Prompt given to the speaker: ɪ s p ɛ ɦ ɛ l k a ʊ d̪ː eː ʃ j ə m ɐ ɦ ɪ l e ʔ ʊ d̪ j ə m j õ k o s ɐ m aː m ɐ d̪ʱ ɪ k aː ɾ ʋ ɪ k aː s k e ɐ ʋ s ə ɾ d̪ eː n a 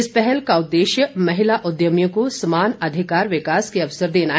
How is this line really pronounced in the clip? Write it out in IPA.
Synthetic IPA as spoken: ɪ s p ɛ ɦ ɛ l k a ʊ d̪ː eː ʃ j ə m ɐ ɦ ɪ l a ʔ ʊ d̪ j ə m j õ k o s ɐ m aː n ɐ d̪ʱ ɪ k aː ɾ ʋ ɪ k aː s k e ɐ ʋ s ə ɾ d̪ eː n a